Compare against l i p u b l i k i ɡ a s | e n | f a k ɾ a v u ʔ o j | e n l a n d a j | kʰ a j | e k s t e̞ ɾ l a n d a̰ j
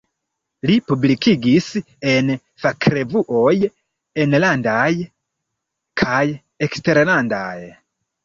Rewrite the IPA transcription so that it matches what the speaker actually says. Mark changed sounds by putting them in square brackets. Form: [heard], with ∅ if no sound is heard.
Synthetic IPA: l i p u b l i k i ɡ [i] s | e n | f a k ɾ [e] v u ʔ o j | e n l a n d a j | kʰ a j | e k s t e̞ ɾ l a n d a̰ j